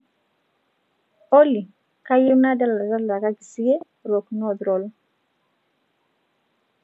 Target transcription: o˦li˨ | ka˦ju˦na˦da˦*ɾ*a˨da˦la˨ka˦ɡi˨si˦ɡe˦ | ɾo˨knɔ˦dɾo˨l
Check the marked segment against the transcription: incorrect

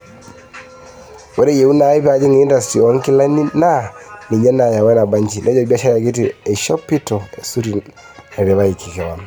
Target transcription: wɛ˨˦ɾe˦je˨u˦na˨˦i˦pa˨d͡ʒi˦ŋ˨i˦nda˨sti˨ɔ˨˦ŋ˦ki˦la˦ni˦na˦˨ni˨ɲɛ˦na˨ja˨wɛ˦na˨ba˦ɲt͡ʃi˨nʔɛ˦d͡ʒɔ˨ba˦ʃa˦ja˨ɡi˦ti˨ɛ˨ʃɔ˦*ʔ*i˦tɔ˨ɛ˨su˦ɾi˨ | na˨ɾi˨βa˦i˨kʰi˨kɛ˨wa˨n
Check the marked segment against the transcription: incorrect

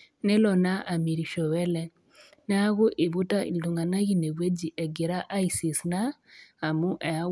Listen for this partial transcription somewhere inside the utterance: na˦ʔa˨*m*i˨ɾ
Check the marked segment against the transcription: correct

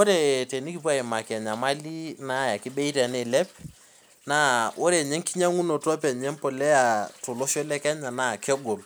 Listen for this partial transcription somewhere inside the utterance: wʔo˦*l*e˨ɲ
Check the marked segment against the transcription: incorrect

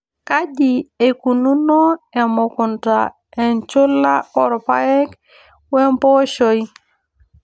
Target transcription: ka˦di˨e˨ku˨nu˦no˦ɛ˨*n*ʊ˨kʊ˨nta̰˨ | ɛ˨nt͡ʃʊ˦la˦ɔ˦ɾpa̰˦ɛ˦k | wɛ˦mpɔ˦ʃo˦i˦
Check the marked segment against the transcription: incorrect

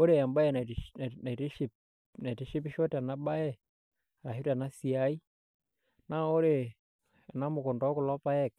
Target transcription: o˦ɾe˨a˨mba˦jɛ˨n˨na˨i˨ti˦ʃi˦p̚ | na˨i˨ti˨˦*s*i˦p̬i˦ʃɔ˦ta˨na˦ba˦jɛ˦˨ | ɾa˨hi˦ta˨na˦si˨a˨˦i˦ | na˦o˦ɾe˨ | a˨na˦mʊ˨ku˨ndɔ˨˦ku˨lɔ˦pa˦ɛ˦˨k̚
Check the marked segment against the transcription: incorrect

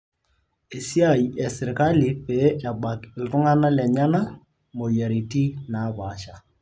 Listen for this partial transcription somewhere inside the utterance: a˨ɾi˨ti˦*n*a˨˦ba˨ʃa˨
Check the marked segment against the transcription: correct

